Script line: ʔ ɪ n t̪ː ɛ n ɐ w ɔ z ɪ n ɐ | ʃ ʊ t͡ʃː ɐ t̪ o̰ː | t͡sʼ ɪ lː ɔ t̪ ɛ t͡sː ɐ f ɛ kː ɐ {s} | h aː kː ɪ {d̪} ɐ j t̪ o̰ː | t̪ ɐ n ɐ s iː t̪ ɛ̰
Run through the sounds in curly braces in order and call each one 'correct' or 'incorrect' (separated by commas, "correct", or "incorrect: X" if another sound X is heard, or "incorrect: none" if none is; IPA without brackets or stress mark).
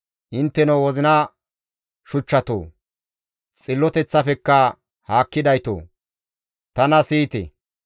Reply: incorrect: none, correct